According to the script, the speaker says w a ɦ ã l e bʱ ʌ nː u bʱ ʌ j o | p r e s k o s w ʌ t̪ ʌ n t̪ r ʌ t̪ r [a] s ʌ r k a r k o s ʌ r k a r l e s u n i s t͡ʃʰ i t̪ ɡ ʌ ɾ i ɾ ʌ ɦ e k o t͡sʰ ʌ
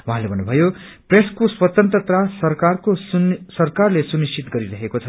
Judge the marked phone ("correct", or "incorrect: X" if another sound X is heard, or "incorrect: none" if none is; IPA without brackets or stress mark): correct